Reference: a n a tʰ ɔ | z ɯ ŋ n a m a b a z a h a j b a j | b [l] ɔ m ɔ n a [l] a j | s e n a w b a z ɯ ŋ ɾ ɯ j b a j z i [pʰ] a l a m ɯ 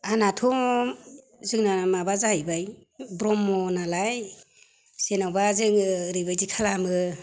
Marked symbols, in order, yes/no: no, yes, no

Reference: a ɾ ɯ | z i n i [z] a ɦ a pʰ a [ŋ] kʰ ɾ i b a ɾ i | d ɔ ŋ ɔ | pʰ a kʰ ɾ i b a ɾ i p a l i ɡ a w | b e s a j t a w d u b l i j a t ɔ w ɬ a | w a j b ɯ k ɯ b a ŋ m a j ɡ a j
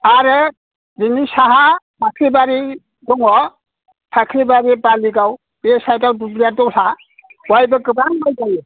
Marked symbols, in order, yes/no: no, no

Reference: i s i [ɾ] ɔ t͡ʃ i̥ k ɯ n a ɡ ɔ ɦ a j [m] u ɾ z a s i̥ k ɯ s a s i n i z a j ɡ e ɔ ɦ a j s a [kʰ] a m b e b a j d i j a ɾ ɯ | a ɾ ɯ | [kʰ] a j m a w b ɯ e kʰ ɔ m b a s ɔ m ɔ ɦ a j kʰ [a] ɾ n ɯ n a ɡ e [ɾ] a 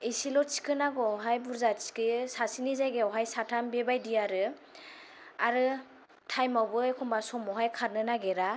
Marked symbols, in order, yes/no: no, no, no, no, yes, yes

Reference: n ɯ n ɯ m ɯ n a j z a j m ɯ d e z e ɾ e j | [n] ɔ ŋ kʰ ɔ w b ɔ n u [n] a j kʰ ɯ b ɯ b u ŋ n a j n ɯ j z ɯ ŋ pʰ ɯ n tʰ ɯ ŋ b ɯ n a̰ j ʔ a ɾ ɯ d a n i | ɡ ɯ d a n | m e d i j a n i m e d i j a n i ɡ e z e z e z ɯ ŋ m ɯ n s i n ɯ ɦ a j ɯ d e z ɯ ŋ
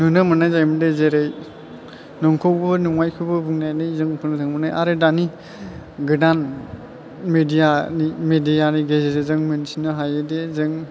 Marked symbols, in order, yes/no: yes, no

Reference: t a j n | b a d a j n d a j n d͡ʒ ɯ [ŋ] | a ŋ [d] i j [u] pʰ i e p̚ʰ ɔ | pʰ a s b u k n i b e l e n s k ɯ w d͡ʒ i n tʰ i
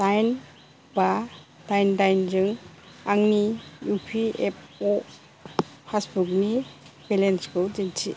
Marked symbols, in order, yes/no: yes, no, yes

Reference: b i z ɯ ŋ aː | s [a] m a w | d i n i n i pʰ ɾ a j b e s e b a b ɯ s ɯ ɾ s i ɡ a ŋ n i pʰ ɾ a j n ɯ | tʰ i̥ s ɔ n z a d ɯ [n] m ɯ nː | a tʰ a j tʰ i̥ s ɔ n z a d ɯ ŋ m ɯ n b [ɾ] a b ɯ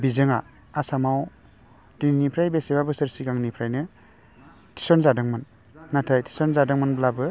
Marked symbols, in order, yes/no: yes, no, no

